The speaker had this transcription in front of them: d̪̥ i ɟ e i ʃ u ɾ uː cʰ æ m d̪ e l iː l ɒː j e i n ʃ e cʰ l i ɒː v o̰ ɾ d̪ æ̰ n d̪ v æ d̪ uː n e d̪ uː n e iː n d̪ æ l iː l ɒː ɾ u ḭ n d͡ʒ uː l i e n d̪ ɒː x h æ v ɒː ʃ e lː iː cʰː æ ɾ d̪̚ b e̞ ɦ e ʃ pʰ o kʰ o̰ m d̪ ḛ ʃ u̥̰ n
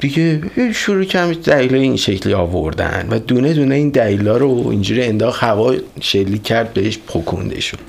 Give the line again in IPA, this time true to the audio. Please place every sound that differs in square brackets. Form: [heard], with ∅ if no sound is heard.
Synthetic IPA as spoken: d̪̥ i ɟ e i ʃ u ɾ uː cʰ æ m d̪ [æ] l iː l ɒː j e i n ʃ e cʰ l i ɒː v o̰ ɾ d̪ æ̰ n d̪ v æ d̪ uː n e d̪ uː n e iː n d̪ æ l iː l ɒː ɾ [o] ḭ n d͡ʒ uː [ɾ] i e n d̪ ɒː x h æ v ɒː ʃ e lː iː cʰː æ ɾ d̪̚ b e̞ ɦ e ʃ pʰ o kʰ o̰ [n] d̪ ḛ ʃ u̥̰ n